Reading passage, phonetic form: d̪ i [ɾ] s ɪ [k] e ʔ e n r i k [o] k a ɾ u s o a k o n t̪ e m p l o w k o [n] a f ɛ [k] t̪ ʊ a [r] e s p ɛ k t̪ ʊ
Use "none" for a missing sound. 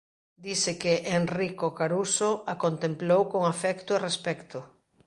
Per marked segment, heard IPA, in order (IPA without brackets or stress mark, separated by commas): none, k, o, ŋ, k, r